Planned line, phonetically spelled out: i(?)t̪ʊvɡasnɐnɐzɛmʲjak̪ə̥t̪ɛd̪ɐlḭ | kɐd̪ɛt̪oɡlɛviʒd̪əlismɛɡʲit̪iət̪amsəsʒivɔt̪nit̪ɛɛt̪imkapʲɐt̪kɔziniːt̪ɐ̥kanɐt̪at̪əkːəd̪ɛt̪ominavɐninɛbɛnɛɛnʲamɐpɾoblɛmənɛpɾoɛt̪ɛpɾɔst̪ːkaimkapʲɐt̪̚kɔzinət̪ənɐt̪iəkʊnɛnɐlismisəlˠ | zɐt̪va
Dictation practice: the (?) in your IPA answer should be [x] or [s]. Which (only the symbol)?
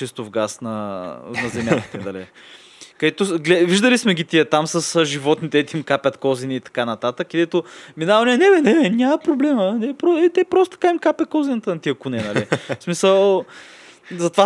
s